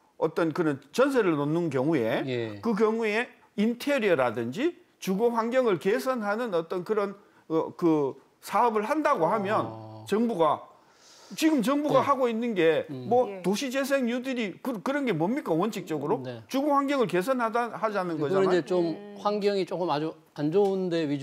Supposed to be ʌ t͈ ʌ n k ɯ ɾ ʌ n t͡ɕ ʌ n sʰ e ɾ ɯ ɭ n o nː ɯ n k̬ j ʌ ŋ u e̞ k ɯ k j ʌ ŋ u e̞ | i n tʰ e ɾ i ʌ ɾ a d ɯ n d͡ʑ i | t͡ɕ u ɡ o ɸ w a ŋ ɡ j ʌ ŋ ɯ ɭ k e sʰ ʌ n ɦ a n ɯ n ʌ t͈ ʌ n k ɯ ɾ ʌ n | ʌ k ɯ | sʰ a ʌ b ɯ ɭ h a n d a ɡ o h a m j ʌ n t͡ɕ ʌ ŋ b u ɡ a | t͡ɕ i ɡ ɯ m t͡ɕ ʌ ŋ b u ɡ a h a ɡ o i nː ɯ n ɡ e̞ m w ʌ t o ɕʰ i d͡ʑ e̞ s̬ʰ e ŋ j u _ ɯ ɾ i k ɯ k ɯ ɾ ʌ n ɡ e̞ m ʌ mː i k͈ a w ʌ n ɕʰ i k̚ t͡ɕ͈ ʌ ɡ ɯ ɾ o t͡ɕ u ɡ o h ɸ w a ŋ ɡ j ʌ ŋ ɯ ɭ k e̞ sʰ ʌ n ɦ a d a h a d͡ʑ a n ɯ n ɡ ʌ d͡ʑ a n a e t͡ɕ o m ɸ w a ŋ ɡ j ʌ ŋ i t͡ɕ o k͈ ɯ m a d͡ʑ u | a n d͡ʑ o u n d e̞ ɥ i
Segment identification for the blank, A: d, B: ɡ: A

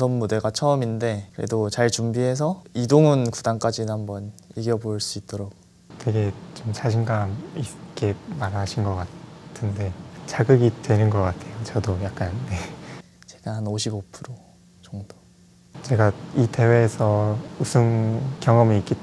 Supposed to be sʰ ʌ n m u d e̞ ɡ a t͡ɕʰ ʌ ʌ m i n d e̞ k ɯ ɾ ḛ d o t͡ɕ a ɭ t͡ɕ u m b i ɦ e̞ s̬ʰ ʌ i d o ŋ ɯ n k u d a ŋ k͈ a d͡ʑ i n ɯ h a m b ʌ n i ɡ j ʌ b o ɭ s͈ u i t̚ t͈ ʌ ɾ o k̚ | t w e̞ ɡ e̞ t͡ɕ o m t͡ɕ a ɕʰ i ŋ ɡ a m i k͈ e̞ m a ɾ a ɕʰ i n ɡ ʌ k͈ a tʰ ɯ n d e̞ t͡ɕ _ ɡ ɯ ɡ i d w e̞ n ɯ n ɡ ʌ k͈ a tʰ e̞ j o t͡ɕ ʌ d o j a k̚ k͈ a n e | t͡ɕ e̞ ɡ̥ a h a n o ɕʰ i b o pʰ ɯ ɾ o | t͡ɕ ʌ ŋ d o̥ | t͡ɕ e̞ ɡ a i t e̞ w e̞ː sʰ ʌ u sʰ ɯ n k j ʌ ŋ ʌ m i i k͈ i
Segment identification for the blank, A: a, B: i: A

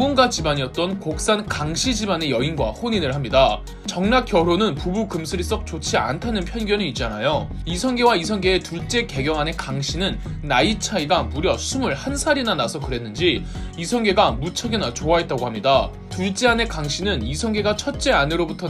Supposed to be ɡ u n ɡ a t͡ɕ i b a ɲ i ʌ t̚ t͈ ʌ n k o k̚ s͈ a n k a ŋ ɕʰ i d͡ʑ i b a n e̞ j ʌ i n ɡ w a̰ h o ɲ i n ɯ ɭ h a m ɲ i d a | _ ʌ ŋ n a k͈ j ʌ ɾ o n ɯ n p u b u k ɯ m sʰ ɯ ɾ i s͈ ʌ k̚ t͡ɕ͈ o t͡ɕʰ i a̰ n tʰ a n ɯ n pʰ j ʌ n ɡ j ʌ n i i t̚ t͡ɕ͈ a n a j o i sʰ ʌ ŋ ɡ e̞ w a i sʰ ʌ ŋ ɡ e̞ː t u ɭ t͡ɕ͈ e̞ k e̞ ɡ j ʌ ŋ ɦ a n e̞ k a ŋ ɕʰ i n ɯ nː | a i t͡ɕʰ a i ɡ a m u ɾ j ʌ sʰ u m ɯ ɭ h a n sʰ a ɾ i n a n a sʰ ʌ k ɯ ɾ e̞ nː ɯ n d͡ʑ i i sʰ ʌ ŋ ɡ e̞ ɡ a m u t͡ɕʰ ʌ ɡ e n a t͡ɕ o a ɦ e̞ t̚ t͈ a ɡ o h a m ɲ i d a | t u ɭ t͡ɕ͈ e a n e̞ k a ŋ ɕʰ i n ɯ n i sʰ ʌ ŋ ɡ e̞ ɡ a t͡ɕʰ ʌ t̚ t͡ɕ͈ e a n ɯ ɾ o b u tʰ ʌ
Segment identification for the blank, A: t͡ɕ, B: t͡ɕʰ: A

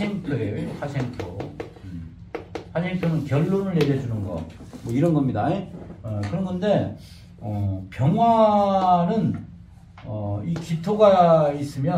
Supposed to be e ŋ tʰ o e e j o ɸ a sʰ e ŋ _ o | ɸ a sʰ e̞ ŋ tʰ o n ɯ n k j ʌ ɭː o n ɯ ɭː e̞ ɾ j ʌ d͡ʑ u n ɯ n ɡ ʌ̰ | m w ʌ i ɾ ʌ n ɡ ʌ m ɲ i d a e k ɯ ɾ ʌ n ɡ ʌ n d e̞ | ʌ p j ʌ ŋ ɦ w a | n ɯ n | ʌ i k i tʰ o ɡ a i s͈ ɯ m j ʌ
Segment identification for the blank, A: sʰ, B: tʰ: B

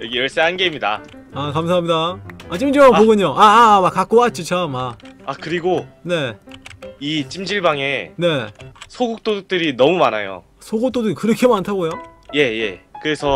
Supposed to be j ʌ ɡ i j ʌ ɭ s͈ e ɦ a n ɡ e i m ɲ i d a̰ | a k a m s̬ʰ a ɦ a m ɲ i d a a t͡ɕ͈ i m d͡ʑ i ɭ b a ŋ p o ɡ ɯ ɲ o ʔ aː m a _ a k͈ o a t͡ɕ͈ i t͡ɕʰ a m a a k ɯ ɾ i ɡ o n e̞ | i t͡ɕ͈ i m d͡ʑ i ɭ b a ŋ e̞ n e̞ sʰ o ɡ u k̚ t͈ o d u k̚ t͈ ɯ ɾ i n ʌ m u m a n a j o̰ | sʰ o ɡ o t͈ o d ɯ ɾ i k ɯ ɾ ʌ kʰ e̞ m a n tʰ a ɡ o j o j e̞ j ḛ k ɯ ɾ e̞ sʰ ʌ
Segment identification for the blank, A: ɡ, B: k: B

